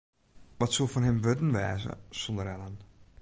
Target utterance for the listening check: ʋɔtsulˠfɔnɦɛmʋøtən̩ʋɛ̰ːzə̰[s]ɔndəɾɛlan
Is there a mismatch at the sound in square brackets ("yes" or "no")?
no